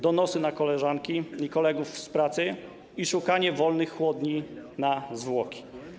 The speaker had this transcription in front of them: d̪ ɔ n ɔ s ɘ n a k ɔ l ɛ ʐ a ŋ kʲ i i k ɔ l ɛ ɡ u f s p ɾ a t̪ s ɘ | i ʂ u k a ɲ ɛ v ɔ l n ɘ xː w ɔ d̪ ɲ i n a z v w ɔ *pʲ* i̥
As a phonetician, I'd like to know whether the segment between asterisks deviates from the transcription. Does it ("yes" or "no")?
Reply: yes